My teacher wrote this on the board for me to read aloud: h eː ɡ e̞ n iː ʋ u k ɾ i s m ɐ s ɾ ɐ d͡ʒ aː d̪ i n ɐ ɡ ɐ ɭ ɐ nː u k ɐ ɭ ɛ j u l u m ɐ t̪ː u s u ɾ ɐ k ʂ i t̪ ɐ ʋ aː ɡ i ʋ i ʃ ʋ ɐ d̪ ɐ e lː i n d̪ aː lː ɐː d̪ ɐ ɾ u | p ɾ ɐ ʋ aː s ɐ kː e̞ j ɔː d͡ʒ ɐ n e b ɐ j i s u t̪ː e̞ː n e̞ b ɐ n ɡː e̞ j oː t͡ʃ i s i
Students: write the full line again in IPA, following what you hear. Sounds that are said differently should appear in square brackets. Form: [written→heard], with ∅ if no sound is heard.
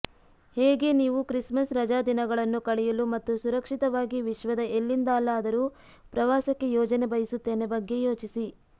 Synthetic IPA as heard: h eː ɡ e̞ n iː ʋ u k ɾ i s m ɐ s ɾ ɐ d͡ʒ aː d̪ i n ɐ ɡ ɐ ɭ ɐ nː u k ɐ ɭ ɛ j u l u m ɐ t̪ː u s u ɾ ɐ k ʂ i t̪ ɐ ʋ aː ɡ i ʋ i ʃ ʋ ɐ d̪ ɐ e lː i n d̪ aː lː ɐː d̪ ɐ ɾ u | p ɾ ɐ ʋ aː s ɐ kː e̞ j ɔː d͡ʒ ɐ n e b ɐ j i s u t̪ː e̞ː n e̞ b ɐ [n→∅] ɡː e̞ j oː t͡ʃ i s i

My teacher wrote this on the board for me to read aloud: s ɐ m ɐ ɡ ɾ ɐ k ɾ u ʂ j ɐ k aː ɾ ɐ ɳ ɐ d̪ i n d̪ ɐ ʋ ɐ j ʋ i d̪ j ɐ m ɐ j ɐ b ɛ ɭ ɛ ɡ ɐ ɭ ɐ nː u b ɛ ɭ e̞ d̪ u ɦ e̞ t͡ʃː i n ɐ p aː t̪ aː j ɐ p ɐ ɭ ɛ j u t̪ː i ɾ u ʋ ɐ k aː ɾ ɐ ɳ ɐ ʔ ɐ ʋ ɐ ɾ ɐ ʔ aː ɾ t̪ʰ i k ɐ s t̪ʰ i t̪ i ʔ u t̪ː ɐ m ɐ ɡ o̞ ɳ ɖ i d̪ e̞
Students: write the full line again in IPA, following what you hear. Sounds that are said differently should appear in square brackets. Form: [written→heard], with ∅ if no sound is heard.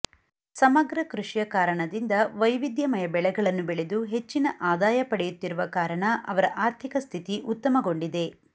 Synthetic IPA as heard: s ɐ m ɐ ɡ ɾ ɐ k ɾ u ʂ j ɐ k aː ɾ ɐ ɳ ɐ d̪ i n d̪ ɐ ʋ ɐ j ʋ i d̪ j ɐ m ɐ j ɐ b ɛ ɭ ɛ ɡ ɐ ɭ ɐ nː u b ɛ ɭ e̞ d̪ u ɦ e̞ t͡ʃː i n ɐ [p→ʔ] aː [t̪→d̪] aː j ɐ p ɐ [ɭ→ɽ] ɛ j u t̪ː i ɾ u ʋ ɐ k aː ɾ ɐ ɳ ɐ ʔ ɐ ʋ ɐ ɾ ɐ ʔ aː ɾ t̪ʰ i k ɐ s t̪ʰ i t̪ i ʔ u t̪ː ɐ m ɐ ɡ o̞ ɳ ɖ i d̪ e̞

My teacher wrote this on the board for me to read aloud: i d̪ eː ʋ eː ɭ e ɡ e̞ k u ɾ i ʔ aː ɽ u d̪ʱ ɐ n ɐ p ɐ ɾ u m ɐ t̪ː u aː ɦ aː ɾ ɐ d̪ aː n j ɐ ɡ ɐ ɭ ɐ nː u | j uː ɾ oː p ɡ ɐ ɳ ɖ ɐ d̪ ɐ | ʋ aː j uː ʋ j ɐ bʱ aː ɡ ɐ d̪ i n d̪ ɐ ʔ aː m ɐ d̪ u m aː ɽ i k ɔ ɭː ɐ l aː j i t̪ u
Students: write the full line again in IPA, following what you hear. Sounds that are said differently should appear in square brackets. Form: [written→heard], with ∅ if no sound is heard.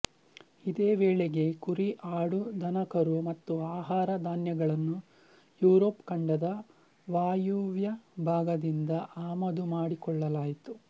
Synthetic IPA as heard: i d̪ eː ʋ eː ɭ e ɡ e̞ k u ɾ i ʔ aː ɽ u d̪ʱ ɐ n ɐ [p→k] ɐ ɾ u m ɐ t̪ː u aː ɦ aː ɾ ɐ d̪ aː n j ɐ ɡ ɐ ɭ ɐ nː u | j uː ɾ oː p [ɡ→k] ɐ ɳ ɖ ɐ d̪ ɐ | ʋ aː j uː ʋ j ɐ bʱ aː ɡ ɐ d̪ i n d̪ ɐ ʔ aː m ɐ d̪ u m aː ɽ i k ɔ ɭː ɐ l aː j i t̪ u

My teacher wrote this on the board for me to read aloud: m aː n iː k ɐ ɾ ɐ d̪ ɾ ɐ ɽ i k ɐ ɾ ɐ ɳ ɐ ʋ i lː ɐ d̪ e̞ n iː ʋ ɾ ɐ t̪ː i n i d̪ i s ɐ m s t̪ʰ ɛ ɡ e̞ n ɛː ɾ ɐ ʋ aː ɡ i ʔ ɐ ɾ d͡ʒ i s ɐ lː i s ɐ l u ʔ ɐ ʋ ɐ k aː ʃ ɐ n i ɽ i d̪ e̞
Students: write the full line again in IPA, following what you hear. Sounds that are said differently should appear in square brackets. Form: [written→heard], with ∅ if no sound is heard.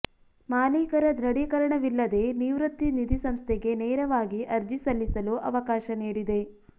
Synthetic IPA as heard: m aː n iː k ɐ ɾ ɐ d̪ ɾ ɐ ɽ i k ɐ ɾ ɐ ɳ ɐ ʋ i lː ɐ d̪ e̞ n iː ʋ ɾ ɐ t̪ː i n i d̪ i s ɐ m s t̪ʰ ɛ ɡ e̞ n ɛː ɾ ɐ ʋ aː ɡ i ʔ ɐ ɾ d͡ʒ i s ɐ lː i s ɐ l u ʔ ɐ ʋ ɐ k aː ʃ ɐ n [i→iː] ɽ i d̪ e̞

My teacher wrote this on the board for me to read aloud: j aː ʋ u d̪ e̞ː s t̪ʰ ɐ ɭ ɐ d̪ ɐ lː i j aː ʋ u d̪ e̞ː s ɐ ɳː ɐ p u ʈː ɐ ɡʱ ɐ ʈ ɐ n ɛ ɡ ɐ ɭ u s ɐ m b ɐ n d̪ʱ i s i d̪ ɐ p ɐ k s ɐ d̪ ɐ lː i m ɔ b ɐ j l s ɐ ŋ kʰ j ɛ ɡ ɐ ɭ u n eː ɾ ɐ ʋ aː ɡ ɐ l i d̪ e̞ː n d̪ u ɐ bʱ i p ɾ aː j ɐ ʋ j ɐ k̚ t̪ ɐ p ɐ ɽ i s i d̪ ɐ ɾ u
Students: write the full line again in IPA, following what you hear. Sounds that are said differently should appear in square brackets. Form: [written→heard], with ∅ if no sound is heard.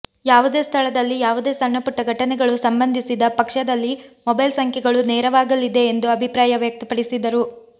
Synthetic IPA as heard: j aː ʋ u d̪ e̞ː s t̪ʰ ɐ ɭ ɐ d̪ ɐ lː i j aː ʋ u d̪ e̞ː s ɐ ɳː ɐ p u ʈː ɐ ɡʱ ɐ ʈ ɐ n ɛ ɡ ɐ ɭ u s ɐ m b ɐ n d̪ʱ i s i d̪ ɐ p ɐ k [s→ʂ] ɐ d̪ ɐ lː i m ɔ b ɐ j l s ɐ ŋ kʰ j ɛ ɡ ɐ ɭ u n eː ɾ ɐ ʋ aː ɡ ɐ l i d̪ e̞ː n d̪ u ɐ bʱ i p ɾ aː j ɐ ʋ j ɐ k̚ t̪ ɐ p ɐ ɽ i s i d̪ ɐ ɾ u

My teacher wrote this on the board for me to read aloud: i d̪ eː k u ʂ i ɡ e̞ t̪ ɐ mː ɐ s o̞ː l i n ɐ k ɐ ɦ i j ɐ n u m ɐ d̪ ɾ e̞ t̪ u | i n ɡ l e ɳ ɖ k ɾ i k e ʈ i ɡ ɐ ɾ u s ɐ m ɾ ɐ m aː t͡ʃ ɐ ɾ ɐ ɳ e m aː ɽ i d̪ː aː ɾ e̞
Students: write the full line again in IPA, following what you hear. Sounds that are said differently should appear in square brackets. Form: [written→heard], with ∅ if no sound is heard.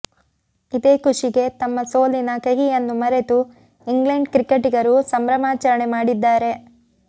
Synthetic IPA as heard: i d̪ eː k u ʂ i ɡ e̞ t̪ ɐ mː ɐ s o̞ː l i n ɐ k ɐ ɦ i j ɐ [n→nː] u m ɐ [d̪→∅] ɾ e̞ t̪ u | i [n→ŋ] ɡ l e ɳ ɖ k ɾ i k e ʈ i ɡ ɐ ɾ u s ɐ m ɾ ɐ m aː t͡ʃ ɐ ɾ ɐ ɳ e m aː ɽ i d̪ː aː ɾ e̞

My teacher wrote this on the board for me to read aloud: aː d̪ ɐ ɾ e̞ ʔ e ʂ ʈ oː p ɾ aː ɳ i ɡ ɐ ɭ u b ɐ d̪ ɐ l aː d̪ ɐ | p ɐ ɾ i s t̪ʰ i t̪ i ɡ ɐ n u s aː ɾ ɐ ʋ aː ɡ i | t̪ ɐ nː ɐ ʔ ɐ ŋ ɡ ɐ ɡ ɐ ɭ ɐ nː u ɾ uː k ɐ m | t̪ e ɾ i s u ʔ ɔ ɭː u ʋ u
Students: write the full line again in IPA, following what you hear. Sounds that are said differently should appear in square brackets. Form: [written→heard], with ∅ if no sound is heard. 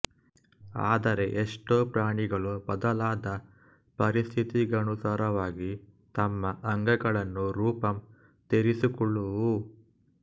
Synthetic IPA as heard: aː d̪ ɐ ɾ e̞ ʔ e ʂ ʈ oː p ɾ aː ɳ i ɡ ɐ ɭ u b ɐ d̪ ɐ l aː d̪ ɐ | p ɐ ɾ i s t̪ʰ i t̪ i ɡ ɐ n u s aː ɾ ɐ ʋ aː ɡ i | t̪ ɐ [nː→mː] ɐ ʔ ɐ ŋ ɡ ɐ ɡ ɐ ɭ ɐ nː u ɾ uː [k→p] ɐ m | t̪ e ɾ i s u [ʔ→k] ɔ ɭː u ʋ u

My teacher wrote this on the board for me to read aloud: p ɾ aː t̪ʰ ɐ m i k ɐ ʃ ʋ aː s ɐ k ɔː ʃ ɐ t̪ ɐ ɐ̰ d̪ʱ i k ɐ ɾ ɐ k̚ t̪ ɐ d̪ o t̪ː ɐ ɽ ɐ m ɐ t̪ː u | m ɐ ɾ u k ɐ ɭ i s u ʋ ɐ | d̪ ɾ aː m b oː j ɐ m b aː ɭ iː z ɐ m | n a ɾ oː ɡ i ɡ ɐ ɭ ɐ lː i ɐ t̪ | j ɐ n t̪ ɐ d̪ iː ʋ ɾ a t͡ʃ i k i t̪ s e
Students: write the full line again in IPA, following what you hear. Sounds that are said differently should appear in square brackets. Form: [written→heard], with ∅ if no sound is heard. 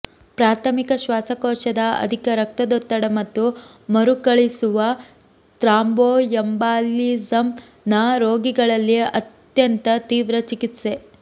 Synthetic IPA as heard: p ɾ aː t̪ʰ ɐ m i k ɐ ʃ ʋ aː s ɐ k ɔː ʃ ɐ [t̪→d̪] ɐ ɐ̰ d̪ʱ i k ɐ ɾ ɐ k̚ t̪ ɐ d̪ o t̪ː ɐ ɽ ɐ m ɐ t̪ː u | m ɐ ɾ u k ɐ ɭ i s u ʋ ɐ | [d̪→t̪] ɾ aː m b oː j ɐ m b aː [ɭ→l] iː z ɐ m | n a ɾ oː ɡ i ɡ ɐ ɭ ɐ lː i ɐ t̪ | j ɐ n t̪ ɐ [d̪→t̪] iː ʋ ɾ [a→ɐ] t͡ʃ i k i t̪ s e

